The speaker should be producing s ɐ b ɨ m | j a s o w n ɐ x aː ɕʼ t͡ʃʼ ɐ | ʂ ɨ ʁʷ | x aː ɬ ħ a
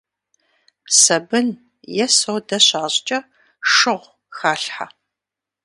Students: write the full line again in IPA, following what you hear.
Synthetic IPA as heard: s ɐ b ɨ n | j ɛ s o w d ɐ ɕ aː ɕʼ t͡ʃʼ ɐ | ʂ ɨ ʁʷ | x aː ɬ ħ a